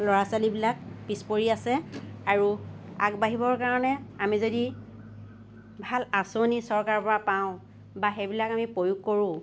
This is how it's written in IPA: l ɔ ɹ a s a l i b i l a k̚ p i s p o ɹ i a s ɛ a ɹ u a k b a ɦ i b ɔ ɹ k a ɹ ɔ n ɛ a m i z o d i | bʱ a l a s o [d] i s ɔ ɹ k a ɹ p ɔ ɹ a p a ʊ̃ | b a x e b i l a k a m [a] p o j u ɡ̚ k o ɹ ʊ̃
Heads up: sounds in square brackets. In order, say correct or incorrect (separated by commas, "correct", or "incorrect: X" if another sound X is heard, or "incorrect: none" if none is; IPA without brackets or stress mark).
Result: incorrect: n, incorrect: i